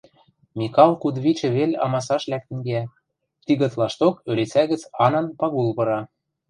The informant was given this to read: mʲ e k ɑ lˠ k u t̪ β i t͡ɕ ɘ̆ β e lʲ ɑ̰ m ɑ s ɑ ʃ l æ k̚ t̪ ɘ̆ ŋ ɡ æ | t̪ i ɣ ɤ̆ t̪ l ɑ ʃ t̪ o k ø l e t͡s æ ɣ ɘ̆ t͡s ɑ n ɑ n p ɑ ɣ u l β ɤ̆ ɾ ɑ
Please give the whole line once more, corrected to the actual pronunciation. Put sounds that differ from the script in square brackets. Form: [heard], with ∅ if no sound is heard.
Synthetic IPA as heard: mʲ [i] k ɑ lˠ k u [d̪] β i t͡ɕ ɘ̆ β e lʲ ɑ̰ m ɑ s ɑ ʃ l æ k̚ t̪ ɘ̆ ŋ ɡ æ | t̪ i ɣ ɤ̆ t̪ l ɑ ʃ t̪ o k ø l e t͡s æ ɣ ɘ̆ t͡s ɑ n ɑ n p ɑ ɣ u l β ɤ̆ ɾ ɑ